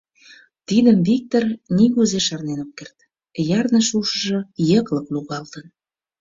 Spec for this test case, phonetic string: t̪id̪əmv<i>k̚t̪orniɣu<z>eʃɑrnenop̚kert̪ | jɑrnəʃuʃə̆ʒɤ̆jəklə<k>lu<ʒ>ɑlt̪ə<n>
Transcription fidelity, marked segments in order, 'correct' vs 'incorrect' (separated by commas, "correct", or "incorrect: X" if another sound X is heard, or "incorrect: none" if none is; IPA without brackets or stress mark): correct, correct, correct, incorrect: ɣ, correct